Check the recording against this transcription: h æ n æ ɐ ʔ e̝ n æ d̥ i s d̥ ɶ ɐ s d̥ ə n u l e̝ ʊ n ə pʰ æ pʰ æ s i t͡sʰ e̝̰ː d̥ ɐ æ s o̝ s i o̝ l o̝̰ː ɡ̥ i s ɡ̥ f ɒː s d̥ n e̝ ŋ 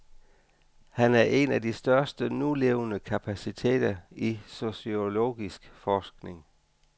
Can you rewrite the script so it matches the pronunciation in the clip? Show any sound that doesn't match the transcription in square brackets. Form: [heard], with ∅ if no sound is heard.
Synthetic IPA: h æ n æ ɐ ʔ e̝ n æ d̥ i s d̥ ɶ ɐ s d̥ ə n u l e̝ ʊ n ə [kʰ] æ pʰ æ s i t͡sʰ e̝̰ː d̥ ɐ [i] s o̝ s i o̝ l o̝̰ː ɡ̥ i s ɡ̥ f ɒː s [ɡ̥] n e̝ ŋ

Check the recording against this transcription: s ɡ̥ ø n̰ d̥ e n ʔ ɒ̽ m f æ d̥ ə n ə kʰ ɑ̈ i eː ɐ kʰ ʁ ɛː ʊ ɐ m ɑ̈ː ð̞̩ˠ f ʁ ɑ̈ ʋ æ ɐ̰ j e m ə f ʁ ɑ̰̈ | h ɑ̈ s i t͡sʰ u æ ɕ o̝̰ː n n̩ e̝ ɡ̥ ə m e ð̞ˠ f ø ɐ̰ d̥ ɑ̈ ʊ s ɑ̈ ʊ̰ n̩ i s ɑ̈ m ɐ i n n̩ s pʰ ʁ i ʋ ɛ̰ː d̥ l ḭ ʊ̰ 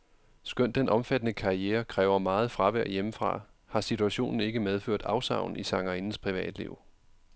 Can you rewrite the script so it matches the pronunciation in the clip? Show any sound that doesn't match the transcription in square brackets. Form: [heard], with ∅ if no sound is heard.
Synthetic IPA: s ɡ̥ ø n̰ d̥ e n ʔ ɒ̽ m f æ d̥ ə n ə kʰ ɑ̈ i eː ɐ kʰ ʁ ɛː ʊ ɐ m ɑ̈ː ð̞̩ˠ f ʁ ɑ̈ ʋ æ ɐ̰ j e m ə f ʁ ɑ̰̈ | h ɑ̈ s i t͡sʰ u æ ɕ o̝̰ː n n̩ e̝ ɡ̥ ə m e ð̞ˠ f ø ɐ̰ d̥ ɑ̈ ʊ s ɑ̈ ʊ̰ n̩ i s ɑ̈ [ŋ] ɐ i n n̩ s pʰ ʁ i ʋ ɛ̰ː d̥ l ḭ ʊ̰

